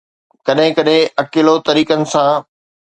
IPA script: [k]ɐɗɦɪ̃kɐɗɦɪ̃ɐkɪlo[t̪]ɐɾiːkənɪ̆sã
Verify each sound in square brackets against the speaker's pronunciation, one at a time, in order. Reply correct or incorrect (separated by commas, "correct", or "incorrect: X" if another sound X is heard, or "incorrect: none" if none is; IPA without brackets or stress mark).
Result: correct, correct